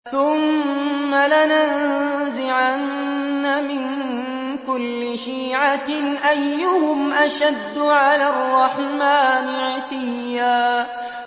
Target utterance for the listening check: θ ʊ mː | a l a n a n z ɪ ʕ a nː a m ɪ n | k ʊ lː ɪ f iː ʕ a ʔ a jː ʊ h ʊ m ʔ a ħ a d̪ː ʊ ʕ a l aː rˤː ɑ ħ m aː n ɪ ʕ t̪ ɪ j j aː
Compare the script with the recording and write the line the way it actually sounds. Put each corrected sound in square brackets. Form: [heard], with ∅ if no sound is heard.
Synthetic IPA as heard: θ ʊ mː | a l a n a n z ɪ ʕ a nː a m ɪ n | k ʊ lː ɪ [ʃ] iː ʕ a ʔ a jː ʊ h ʊ m ʔ a [ʃ] a d̪ː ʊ ʕ a l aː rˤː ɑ ħ m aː n ɪ ʕ t̪ ɪ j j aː